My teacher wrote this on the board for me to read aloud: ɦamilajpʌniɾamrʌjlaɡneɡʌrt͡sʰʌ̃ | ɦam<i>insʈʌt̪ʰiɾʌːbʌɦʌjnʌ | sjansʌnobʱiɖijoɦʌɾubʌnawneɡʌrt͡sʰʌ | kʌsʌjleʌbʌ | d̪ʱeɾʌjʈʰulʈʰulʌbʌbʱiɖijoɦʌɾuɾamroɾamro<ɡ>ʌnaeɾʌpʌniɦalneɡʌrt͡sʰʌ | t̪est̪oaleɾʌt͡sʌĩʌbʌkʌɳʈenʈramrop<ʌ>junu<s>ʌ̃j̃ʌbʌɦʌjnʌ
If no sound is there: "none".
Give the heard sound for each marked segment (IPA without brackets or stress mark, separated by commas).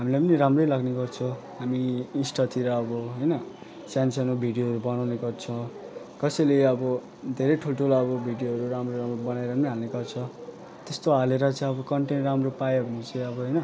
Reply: i, b, a, t͡s